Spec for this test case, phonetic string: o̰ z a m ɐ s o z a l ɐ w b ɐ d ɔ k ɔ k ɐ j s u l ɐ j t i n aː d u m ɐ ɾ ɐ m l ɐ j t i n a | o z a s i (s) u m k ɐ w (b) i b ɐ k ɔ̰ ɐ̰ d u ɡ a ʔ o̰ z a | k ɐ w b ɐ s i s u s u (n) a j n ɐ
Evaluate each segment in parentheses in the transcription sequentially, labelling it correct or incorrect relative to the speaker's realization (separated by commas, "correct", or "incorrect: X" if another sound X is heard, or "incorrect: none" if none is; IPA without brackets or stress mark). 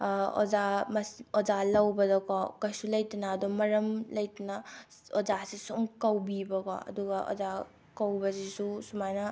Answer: correct, correct, incorrect: m